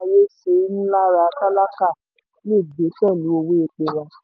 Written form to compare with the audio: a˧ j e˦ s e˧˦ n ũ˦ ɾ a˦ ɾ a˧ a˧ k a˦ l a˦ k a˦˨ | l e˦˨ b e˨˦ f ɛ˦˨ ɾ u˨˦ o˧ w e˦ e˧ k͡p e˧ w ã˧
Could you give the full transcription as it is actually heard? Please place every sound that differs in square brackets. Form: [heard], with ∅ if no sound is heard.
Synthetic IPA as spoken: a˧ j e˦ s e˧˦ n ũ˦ [l] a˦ ɾ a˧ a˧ k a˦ l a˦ k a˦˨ | l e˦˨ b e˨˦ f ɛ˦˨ [l] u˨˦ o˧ w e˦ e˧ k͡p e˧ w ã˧